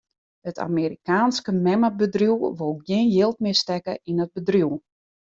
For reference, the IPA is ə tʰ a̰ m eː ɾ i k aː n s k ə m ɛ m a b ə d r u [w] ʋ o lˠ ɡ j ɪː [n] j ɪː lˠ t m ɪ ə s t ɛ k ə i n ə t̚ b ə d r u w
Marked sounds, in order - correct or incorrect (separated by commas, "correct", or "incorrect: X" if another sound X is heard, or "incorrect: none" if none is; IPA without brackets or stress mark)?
correct, correct